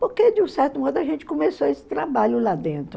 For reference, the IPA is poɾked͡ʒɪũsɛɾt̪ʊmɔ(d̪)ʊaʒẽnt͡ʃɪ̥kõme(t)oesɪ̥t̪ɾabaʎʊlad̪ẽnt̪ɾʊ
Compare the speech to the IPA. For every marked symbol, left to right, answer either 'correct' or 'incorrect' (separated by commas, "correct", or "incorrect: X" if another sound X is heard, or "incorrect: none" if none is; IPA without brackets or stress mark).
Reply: correct, incorrect: s